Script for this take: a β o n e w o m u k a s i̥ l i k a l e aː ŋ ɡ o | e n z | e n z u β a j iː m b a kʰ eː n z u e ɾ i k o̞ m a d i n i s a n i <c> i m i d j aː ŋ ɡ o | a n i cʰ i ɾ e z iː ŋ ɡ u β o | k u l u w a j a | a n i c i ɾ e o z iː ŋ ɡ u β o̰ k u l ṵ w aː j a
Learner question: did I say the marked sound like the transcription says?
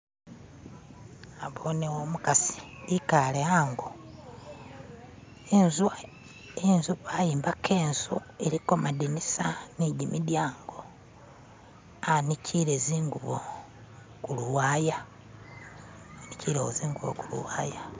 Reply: no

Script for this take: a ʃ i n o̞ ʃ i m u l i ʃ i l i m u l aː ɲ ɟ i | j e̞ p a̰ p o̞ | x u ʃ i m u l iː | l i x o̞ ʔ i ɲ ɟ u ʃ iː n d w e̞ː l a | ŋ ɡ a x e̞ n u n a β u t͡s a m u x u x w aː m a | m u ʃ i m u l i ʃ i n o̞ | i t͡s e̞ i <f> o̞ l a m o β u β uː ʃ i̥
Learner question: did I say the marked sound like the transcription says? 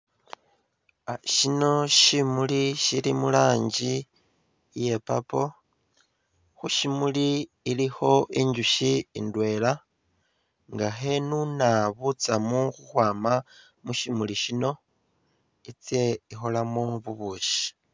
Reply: no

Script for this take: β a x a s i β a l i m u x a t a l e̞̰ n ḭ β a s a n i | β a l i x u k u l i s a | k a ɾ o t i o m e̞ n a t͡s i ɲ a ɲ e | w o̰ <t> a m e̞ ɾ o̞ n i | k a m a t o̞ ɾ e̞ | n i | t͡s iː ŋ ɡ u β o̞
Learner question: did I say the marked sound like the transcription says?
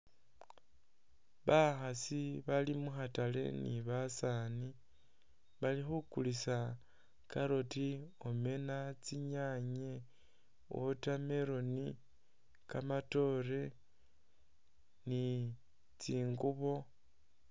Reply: yes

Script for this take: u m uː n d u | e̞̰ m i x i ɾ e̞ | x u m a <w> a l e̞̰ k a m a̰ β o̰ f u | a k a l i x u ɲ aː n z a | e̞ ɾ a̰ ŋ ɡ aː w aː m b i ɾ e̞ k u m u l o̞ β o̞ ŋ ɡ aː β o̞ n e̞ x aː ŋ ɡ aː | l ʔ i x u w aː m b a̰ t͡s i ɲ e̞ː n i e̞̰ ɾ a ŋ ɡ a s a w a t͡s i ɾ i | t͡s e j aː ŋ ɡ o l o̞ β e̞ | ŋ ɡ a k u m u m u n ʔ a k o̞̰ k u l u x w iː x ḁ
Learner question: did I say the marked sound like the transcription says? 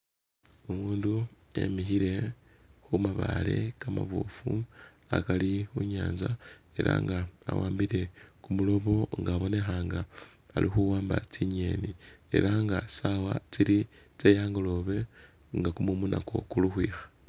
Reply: no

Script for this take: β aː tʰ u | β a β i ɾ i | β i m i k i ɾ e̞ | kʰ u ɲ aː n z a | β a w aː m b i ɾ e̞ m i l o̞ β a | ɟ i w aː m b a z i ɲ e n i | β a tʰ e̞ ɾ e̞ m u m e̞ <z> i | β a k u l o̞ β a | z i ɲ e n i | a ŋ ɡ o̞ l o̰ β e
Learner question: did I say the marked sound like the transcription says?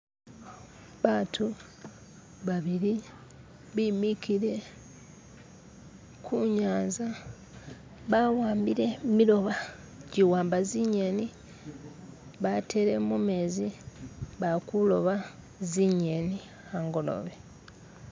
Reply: yes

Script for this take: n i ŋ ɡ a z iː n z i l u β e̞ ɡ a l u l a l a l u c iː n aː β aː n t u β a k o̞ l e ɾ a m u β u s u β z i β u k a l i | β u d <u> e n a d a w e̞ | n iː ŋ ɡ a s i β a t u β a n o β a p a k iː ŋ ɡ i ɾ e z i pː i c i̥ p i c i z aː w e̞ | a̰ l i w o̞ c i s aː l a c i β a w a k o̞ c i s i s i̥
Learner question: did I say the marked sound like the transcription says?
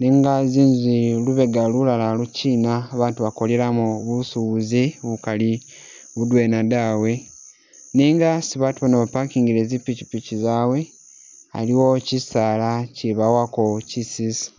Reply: no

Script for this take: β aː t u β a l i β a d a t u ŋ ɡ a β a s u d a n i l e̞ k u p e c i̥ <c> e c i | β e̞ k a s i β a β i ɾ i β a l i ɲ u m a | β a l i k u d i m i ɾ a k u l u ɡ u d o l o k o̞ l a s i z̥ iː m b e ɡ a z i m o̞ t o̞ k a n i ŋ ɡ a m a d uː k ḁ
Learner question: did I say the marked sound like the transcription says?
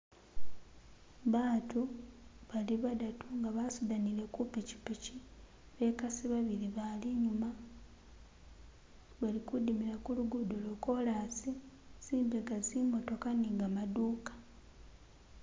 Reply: no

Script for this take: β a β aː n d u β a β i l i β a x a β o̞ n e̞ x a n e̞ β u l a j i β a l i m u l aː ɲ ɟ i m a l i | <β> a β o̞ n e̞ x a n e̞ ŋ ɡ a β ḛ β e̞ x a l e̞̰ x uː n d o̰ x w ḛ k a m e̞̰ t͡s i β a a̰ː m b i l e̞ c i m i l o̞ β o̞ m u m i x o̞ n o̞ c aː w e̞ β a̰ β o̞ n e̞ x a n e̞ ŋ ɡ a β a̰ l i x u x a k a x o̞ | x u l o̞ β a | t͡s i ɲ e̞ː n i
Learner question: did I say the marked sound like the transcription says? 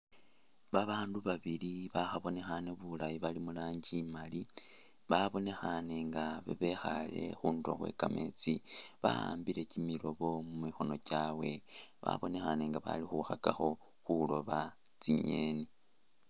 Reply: yes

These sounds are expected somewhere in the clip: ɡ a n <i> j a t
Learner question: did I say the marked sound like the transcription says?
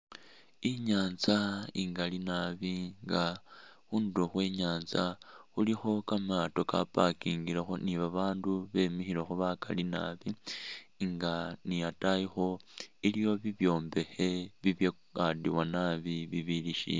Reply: yes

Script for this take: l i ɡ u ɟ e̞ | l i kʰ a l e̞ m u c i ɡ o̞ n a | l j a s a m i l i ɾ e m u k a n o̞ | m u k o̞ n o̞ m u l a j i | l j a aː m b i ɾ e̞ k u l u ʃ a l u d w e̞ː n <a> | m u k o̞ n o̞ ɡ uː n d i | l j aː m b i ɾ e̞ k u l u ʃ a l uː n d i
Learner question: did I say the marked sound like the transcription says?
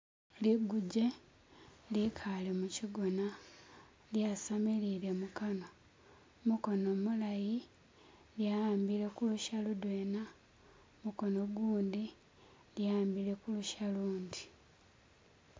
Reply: yes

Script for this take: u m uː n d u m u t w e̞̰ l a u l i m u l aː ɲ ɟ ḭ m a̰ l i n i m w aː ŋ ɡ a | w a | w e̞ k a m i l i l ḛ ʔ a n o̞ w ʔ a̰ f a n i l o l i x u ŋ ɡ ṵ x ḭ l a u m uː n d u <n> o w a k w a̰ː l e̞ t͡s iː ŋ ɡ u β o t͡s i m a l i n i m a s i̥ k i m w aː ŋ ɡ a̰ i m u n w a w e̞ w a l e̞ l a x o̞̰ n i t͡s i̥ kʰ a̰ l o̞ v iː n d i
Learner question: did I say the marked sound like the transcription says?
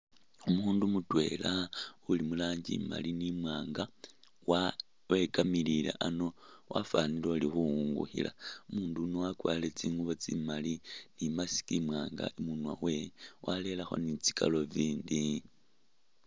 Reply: yes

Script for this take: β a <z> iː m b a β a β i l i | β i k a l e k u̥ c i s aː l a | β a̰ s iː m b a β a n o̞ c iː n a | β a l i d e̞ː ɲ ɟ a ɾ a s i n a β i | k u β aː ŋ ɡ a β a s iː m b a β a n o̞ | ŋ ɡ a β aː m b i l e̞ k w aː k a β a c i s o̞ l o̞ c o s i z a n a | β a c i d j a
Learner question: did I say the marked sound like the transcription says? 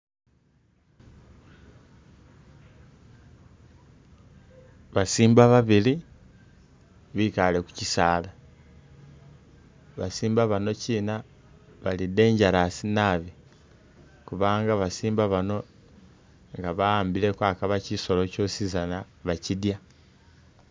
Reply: no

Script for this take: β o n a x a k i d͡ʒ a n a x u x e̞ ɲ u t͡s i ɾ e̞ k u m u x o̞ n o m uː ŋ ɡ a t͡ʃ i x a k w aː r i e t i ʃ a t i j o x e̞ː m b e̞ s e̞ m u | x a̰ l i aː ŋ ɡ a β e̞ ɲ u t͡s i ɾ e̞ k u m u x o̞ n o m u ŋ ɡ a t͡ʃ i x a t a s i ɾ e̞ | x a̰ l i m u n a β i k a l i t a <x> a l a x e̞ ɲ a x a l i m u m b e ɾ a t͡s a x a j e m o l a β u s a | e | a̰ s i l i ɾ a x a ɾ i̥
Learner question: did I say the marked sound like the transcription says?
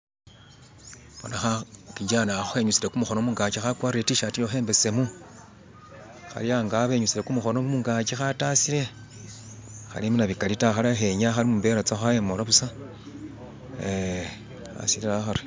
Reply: yes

